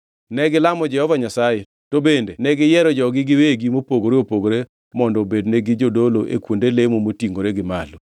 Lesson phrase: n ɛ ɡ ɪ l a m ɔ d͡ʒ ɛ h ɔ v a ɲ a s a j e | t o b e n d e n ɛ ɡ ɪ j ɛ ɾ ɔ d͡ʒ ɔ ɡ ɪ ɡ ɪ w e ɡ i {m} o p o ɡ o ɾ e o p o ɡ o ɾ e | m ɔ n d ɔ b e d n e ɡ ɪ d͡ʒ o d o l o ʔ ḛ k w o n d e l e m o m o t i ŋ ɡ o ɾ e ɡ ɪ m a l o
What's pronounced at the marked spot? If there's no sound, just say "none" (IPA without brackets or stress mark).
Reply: m